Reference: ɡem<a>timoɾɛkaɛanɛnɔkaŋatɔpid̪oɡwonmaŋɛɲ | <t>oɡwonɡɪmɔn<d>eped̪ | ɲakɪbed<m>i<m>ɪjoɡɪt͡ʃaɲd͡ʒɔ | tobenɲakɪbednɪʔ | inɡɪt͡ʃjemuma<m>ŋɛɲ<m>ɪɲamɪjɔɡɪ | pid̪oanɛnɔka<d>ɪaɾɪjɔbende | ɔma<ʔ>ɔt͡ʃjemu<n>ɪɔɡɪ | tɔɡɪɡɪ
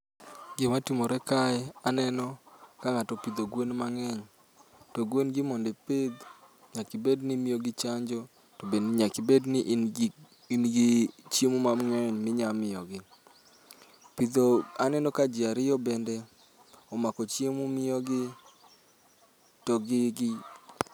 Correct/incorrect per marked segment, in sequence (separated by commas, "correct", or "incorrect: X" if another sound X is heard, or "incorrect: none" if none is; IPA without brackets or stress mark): correct, correct, correct, incorrect: n, correct, correct, correct, incorrect: d͡ʒ, incorrect: k, incorrect: m